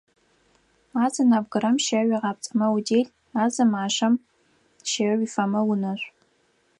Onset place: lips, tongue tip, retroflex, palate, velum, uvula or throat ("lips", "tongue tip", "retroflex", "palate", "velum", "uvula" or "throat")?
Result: tongue tip